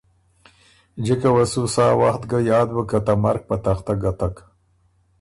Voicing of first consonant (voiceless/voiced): voiced